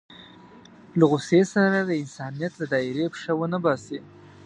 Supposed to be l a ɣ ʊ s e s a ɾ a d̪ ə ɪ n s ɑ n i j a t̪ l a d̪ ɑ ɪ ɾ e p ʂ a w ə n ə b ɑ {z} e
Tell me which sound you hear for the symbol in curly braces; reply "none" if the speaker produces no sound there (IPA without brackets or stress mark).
s